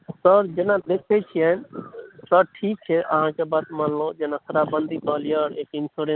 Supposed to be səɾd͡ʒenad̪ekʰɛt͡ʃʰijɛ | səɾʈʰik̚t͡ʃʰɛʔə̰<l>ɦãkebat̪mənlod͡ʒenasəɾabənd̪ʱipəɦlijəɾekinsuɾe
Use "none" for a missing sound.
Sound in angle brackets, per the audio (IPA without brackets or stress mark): none